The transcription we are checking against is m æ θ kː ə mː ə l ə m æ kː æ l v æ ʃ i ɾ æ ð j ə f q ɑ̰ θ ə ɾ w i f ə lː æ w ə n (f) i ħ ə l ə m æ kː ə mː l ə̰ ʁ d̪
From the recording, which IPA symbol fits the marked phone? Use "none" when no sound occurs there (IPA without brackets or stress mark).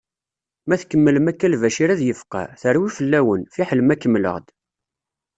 f